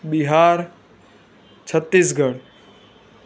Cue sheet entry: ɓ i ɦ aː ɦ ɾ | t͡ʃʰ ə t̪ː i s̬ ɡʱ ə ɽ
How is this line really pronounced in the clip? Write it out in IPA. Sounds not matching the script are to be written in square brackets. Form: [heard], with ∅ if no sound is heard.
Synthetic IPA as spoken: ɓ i ɦ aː [∅] ɾ | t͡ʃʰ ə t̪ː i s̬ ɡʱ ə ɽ